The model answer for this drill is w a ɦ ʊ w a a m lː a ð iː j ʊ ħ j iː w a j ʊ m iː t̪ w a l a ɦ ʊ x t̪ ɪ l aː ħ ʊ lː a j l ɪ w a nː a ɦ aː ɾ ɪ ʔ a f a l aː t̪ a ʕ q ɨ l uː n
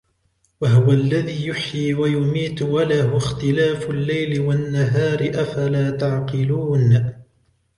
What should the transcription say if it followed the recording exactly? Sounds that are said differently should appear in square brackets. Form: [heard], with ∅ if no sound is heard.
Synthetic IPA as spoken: w a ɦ ʊ w a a [∅] lː a ð iː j ʊ ħ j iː w a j ʊ m iː t̪ w a l a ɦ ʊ x t̪ ɪ l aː [f] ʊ lː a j l ɪ w a nː a ɦ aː ɾ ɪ ʔ a f a l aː t̪ a ʕ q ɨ l uː n